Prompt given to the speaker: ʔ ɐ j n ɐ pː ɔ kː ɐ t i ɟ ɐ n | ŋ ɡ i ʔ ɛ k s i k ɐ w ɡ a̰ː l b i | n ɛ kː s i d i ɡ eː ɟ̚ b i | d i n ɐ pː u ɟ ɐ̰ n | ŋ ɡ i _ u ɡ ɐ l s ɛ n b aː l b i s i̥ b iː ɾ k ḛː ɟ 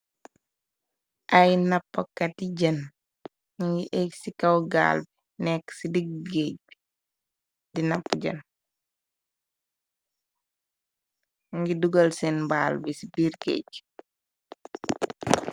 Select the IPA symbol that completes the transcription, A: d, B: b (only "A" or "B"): A